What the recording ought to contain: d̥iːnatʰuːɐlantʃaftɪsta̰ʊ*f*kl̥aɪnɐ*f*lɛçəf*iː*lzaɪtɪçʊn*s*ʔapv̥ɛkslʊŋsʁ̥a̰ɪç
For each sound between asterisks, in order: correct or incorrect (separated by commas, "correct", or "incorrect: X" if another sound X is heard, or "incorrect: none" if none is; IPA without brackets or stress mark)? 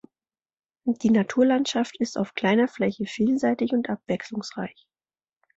correct, correct, correct, incorrect: t